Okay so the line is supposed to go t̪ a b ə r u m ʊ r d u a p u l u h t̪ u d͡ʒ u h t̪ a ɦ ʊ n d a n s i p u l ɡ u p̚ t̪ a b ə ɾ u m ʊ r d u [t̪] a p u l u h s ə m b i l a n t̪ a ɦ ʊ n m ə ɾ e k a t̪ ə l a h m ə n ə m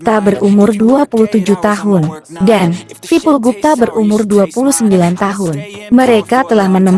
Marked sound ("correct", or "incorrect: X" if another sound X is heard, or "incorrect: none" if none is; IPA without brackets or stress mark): incorrect: none